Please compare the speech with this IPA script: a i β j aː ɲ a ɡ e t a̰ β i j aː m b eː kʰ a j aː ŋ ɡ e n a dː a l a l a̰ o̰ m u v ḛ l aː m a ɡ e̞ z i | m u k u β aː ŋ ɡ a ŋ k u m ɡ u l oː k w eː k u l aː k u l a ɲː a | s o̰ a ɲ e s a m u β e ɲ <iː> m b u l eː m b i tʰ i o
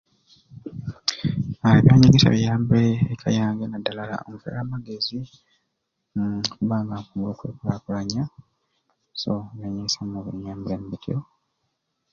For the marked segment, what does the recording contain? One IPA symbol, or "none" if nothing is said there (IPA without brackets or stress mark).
aː